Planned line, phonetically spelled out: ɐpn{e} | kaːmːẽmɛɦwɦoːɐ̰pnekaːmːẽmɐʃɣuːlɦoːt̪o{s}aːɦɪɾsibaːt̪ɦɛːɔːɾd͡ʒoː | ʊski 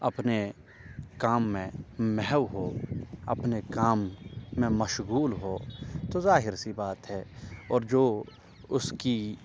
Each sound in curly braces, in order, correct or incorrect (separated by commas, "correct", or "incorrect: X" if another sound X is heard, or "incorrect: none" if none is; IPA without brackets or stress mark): correct, incorrect: z